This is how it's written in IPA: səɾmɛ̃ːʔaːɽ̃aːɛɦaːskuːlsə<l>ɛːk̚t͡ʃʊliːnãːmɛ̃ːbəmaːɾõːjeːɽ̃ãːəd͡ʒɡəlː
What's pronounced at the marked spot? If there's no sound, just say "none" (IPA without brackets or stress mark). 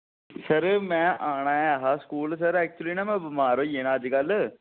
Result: ɾ